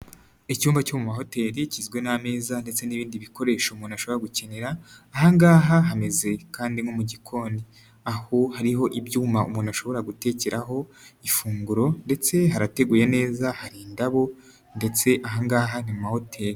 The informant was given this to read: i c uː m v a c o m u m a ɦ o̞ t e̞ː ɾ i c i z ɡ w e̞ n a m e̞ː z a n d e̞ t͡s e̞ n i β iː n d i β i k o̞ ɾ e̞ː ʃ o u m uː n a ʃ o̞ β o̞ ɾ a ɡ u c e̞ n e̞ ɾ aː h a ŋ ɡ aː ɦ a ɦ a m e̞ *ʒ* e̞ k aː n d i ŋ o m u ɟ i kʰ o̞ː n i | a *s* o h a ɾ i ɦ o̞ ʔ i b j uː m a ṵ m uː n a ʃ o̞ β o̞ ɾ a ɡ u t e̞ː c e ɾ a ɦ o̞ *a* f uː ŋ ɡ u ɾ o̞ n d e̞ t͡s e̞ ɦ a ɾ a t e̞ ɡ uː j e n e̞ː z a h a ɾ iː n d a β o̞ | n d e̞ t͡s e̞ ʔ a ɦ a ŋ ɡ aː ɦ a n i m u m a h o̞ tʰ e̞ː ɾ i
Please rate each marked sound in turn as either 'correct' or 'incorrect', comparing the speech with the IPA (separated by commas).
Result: incorrect, incorrect, incorrect